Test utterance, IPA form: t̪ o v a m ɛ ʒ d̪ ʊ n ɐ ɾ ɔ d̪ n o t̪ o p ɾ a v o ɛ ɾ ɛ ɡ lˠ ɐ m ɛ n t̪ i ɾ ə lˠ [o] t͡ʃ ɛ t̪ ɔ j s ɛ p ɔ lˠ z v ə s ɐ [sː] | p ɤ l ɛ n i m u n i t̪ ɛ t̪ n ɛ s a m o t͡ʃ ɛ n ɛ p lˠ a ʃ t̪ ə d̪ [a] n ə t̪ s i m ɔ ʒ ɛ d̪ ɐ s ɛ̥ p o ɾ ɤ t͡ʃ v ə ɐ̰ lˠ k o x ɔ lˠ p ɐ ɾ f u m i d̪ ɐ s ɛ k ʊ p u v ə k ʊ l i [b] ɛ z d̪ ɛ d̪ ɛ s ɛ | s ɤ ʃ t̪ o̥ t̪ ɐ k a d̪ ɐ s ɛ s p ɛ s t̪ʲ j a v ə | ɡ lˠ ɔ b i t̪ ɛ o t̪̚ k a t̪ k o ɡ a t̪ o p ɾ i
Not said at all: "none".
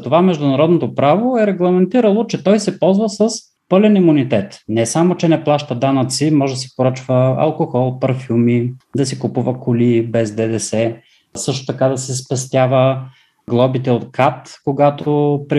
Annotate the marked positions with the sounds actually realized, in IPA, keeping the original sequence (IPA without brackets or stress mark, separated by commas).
o, s, a, b